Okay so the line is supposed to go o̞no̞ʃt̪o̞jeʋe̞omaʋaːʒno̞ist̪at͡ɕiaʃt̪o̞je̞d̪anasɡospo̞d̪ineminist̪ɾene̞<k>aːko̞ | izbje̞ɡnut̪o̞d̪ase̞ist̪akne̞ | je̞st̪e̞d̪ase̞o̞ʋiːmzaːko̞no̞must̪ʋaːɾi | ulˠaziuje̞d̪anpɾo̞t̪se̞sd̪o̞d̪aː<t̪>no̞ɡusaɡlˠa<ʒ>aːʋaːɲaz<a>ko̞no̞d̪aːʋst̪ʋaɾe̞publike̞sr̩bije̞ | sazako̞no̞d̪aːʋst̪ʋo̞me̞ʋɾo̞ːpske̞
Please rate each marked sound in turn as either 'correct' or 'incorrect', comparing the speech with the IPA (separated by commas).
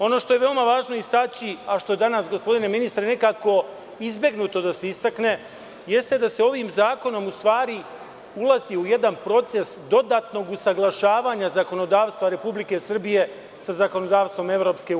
correct, correct, incorrect, correct